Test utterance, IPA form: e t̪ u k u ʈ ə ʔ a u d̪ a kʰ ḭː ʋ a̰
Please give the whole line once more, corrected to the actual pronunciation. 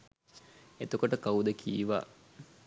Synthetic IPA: e t̪ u k o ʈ ə k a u d̪ ə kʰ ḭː ʋ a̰